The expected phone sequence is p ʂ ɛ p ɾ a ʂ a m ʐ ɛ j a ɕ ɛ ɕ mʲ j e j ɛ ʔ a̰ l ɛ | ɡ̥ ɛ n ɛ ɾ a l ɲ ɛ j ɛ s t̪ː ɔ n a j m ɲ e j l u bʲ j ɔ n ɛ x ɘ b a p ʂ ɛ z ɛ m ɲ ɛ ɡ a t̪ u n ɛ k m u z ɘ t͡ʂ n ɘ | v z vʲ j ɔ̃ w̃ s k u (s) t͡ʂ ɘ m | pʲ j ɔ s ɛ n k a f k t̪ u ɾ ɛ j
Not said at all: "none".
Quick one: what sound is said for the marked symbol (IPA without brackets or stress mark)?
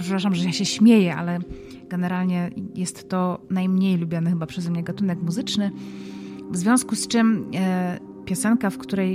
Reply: s